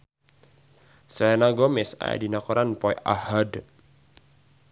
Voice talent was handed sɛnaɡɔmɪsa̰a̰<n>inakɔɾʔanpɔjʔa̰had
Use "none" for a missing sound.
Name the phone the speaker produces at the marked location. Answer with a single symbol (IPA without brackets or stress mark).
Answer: d